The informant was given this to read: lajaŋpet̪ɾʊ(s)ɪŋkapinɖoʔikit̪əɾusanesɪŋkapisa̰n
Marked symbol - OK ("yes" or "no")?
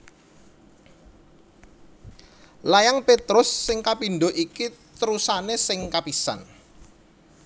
no